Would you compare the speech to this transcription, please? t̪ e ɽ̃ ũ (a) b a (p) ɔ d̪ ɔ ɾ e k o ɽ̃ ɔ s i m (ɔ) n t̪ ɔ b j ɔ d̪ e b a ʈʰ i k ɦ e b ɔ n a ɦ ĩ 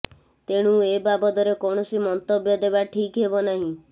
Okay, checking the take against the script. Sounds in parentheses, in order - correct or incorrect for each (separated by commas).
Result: incorrect, incorrect, correct